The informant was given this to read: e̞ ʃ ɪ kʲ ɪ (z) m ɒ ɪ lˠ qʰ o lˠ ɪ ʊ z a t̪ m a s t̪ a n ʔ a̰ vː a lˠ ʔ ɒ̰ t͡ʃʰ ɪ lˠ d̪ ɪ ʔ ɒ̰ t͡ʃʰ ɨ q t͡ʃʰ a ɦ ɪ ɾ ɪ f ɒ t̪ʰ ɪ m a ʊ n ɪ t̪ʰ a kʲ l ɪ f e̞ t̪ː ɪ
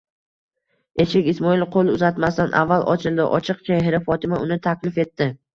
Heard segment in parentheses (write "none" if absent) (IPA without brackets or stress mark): s